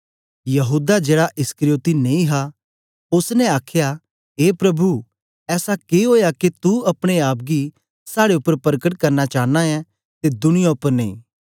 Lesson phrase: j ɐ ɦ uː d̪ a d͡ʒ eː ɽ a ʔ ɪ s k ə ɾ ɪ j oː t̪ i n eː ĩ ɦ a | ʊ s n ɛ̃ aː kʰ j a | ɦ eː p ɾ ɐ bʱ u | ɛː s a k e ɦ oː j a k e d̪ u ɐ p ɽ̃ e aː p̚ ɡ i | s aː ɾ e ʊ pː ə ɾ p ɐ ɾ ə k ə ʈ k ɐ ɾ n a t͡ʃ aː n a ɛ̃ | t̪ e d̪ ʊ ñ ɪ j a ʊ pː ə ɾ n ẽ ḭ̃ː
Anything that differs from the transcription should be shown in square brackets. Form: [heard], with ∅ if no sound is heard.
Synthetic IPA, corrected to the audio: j ɐ ɦ uː d̪ a d͡ʒ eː ɽ a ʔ ɪ s k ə ɾ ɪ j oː t̪ i n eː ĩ ɦ a | ʊ s n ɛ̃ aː kʰ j a | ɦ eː p ɾ ɐ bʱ u | ɛː s a k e ɦ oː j a k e [t̪] u ɐ p ɽ̃ e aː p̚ ɡ i | s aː [ɽ] e ʊ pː ə ɾ p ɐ ɾ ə k ə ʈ k ɐ ɾ n a t͡ʃ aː n a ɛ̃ | t̪ e d̪ ʊ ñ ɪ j a ʊ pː ə ɾ n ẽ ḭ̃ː